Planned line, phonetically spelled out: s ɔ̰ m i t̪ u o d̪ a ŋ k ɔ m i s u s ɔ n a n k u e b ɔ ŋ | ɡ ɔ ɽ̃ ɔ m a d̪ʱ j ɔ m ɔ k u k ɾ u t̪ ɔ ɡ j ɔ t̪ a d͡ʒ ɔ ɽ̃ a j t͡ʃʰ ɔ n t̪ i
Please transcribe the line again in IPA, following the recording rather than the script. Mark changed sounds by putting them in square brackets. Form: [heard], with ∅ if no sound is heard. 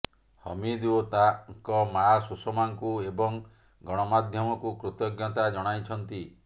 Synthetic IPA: [h] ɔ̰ m i [d̪] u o [t̪] a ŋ k ɔ m [a] s u s ɔ [m] a [ŋ] k u e b ɔ ŋ | ɡ ɔ ɽ̃ ɔ m a d̪ʱ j ɔ m ɔ k u k ɾ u t̪ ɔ ɡ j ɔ t̪ a d͡ʒ ɔ ɽ̃ a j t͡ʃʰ ɔ n t̪ i